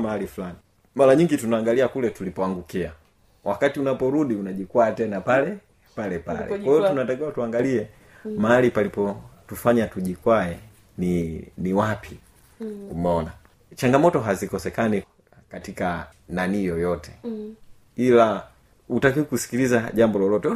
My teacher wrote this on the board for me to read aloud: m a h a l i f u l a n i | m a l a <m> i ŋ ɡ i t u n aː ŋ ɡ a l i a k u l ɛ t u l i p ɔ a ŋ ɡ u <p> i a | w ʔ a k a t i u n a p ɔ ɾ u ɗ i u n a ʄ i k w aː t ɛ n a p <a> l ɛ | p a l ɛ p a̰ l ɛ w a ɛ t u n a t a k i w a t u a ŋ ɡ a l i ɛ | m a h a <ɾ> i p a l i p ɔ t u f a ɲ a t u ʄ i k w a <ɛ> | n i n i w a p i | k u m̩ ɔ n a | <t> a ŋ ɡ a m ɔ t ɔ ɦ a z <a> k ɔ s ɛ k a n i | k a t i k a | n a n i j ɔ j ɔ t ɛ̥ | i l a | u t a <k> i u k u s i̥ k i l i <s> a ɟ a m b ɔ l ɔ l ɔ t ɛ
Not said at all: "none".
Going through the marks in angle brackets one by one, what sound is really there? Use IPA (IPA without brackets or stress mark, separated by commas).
ɲ, k, a, l, ɛ, t͡ʃ, i, k, z